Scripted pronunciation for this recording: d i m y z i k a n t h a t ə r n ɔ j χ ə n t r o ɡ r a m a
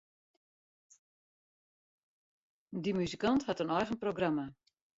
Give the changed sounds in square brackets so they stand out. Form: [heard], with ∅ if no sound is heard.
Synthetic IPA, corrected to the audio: d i m y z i k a n t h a t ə [∅] n ɔ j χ ə n [p] r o ɡ r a m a